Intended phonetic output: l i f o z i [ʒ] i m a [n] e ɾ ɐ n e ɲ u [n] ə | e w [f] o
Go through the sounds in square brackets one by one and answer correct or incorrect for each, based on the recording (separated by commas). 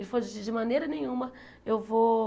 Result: incorrect, correct, incorrect, incorrect